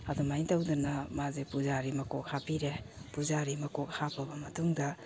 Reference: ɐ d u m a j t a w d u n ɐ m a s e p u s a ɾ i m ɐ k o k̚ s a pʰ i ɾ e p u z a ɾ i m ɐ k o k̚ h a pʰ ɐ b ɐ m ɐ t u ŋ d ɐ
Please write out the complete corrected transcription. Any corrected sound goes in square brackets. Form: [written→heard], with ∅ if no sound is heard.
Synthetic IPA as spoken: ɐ d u m a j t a w d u n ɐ m a [s→z] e p u [s→z] a ɾ i m ɐ k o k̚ [s→h] a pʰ i ɾ e p u z a ɾ i m ɐ k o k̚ h a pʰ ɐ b ɐ m ɐ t u ŋ d ɐ